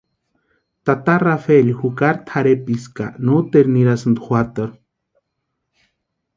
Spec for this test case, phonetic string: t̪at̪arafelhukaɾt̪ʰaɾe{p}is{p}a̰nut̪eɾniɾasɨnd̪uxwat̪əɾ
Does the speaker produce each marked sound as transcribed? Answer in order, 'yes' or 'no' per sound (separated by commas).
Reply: yes, no